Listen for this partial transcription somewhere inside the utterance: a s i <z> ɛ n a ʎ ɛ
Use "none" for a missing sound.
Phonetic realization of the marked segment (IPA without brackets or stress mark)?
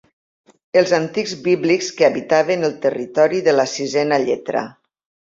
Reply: z